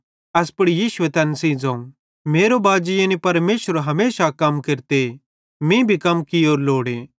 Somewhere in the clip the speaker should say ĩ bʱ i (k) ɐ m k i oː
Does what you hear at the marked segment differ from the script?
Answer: no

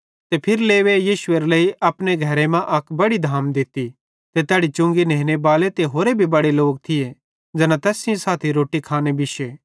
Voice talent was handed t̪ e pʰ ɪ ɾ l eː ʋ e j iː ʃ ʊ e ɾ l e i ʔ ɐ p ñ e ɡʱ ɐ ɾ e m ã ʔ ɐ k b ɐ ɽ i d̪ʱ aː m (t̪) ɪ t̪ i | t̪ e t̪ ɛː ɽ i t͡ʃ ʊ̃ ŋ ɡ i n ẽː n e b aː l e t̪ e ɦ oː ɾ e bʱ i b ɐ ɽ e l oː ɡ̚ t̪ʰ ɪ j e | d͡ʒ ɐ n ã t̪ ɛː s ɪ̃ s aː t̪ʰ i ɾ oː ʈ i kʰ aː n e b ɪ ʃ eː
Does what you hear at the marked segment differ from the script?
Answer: yes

